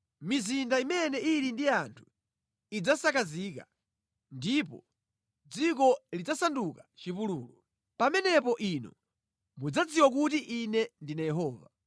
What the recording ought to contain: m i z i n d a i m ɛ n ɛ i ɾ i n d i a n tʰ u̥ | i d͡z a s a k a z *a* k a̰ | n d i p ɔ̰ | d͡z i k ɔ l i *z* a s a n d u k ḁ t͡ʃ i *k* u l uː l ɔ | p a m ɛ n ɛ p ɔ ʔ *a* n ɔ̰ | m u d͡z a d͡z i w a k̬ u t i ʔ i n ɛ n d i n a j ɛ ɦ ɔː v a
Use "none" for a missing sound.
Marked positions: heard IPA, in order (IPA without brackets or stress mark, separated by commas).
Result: i, d͡z, p, i